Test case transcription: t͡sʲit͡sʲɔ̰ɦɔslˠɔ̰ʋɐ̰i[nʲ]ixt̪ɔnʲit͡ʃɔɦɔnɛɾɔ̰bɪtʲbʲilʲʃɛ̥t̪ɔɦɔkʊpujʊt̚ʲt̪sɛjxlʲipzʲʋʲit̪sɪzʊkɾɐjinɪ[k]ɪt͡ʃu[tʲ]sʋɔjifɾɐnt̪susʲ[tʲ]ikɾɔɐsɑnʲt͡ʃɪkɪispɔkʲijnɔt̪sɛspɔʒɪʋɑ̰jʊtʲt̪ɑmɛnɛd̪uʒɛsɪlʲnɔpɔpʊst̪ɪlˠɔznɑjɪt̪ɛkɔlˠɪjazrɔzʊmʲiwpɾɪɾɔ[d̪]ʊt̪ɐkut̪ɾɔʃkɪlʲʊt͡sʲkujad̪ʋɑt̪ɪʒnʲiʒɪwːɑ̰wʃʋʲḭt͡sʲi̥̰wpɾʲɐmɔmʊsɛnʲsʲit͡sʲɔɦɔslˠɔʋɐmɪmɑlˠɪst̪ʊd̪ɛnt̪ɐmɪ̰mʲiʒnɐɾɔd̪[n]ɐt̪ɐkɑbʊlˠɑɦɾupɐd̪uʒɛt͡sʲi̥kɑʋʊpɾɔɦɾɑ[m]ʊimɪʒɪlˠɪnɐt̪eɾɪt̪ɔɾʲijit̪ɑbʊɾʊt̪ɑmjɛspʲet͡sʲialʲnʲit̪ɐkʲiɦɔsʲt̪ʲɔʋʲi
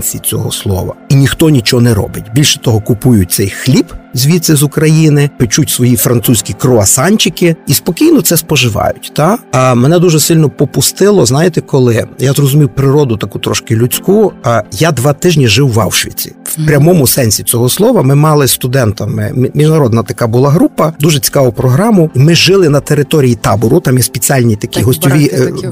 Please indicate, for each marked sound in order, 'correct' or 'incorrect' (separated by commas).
correct, incorrect, correct, incorrect, correct, correct, correct